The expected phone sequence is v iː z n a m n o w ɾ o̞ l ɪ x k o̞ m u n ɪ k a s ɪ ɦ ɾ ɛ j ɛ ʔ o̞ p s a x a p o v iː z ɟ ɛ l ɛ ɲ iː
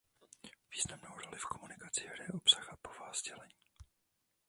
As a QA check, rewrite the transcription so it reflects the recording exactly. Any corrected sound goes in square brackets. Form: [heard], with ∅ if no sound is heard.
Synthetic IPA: v iː z n a m n o w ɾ o̞ l ɪ [f] k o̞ m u n ɪ k a [t͡s] ɪ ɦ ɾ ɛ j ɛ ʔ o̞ p s a x a p o v [aː] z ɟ ɛ l ɛ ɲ iː

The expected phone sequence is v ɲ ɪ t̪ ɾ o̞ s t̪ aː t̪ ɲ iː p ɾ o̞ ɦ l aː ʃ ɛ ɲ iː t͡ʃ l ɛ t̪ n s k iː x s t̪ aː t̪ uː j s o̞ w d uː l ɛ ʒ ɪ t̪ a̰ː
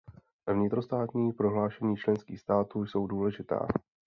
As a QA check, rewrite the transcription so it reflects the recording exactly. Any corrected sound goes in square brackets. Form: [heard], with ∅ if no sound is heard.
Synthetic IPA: v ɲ ɪ t̪ ɾ o̞ s t̪ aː t̪ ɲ iː p ɾ o̞ ɦ l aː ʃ ɛ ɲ iː t͡ʃ l ɛ [∅] n s k iː x s t̪ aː t̪ uː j s o̞ w d uː l ɛ ʒ ɪ t̪ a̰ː

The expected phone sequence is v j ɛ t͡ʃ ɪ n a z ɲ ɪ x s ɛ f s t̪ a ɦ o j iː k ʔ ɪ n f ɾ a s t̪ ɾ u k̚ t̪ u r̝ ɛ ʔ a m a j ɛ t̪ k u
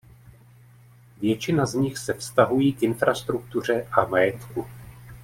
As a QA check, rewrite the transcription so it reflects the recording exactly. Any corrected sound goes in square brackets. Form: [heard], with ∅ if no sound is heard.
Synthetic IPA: v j ɛ t͡ʃ ɪ n a z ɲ ɪ x s ɛ f s t̪ a ɦ [u] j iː k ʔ ɪ n f ɾ a s t̪ ɾ u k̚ t̪ u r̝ ɛ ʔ a m a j ɛ t̪ k u

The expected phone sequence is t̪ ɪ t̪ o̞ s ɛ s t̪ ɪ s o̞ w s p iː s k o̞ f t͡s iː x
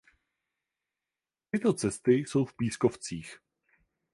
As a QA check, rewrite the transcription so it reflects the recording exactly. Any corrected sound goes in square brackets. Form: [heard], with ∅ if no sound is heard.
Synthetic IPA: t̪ ɪ t̪ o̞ [t͡s] ɛ s t̪ ɪ s o̞ w [f] p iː s k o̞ f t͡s iː x

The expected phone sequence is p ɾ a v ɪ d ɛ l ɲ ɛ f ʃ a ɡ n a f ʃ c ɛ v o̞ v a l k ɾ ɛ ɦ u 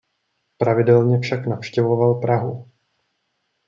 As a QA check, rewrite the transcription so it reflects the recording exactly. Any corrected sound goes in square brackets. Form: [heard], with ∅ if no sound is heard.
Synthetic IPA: p ɾ a v ɪ d ɛ l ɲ ɛ f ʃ a [k] n a f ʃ c ɛ v o̞ v a l [p] ɾ [a] ɦ u

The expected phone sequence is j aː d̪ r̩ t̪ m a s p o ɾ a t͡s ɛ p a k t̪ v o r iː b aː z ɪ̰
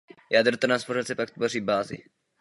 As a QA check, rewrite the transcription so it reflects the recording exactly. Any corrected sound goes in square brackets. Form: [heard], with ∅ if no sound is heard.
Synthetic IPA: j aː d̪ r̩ t̪ [n] a s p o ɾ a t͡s ɛ p a k t̪ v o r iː b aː z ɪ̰

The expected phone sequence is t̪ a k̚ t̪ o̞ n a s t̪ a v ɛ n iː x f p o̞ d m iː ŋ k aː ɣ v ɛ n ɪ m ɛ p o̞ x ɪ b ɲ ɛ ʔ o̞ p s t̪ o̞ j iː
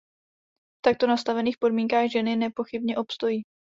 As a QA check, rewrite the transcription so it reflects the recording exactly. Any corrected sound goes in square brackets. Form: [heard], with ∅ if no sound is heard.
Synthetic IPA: t̪ a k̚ t̪ o̞ n a s t̪ a v ɛ n iː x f p o̞ d m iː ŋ k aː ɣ [ʒ] ɛ n ɪ [n] ɛ p o̞ x ɪ b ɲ ɛ ʔ o̞ p s t̪ o̞ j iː

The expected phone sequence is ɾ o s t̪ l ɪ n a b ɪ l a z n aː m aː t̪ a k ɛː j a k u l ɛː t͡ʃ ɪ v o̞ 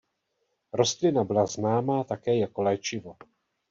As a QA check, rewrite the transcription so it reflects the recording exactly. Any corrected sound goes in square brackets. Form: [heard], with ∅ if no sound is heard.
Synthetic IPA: ɾ o s t̪ l ɪ n a b ɪ l a z n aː m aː t̪ a k ɛː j a k [o] l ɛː t͡ʃ ɪ v o̞

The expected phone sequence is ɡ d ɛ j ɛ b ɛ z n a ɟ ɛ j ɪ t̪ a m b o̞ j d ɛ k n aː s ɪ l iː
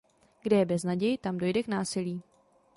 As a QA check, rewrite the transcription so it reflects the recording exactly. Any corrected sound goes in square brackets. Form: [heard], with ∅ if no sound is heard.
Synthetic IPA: ɡ d ɛ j ɛ b ɛ z n a ɟ ɛ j ɪ t̪ a m [d] o̞ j d ɛ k n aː s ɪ l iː

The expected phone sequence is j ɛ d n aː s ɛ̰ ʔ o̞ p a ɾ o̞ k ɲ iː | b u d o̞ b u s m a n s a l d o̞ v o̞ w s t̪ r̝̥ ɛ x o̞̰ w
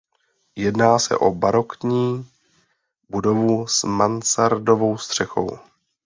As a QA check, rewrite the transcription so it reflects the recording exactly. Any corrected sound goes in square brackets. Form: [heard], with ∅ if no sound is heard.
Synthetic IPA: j ɛ d n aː s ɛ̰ ʔ o̞ [b] a ɾ o̞ k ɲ iː | b u d o̞ [v] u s m a n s a [ɾ] d o̞ v o̞ w s t̪ r̝̥ ɛ x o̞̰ w

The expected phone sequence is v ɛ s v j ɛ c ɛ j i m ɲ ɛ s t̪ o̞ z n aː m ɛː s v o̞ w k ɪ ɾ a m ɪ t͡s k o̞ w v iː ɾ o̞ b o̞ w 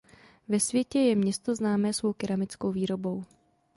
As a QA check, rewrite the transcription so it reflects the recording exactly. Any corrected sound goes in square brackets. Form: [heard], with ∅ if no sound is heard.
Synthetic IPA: v ɛ s v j ɛ c ɛ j [ɛ] m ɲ ɛ s t̪ o̞ z n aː m ɛː s v o̞ w k ɪ ɾ a m ɪ t͡s k o̞ w v iː ɾ o̞ b o̞ w

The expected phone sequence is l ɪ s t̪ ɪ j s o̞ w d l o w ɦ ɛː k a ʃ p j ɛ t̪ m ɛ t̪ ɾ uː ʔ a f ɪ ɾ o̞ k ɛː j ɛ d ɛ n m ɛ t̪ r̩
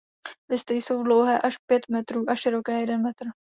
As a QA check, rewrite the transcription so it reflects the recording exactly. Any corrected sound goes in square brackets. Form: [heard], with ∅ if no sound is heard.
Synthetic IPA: l ɪ s t̪ ɪ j s o̞ w d l o w ɦ ɛː [ʔ] a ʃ p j ɛ t̪ m ɛ t̪ ɾ uː ʔ a [ʃ] ɪ ɾ o̞ k ɛː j ɛ d ɛ n m ɛ t̪ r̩

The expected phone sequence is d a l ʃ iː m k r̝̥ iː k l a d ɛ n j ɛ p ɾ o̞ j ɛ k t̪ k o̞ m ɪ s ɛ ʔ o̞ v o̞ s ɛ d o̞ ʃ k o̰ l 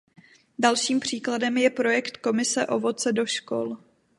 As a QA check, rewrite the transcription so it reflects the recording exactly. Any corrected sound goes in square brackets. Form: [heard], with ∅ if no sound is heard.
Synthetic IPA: d a l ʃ iː m [p] r̝̥ iː k l a d ɛ [m] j ɛ p ɾ o̞ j ɛ k t̪ k o̞ m ɪ s ɛ ʔ o̞ v o̞ [t͡s] ɛ d o̞ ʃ k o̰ l

